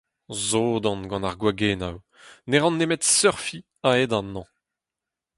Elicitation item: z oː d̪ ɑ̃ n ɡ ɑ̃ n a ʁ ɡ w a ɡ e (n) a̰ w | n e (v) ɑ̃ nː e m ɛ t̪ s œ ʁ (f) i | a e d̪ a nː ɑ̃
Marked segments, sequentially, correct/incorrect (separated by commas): correct, incorrect, correct